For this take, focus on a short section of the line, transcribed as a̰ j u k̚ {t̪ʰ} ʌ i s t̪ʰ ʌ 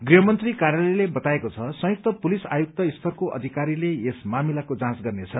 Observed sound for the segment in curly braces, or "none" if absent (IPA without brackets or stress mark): t̪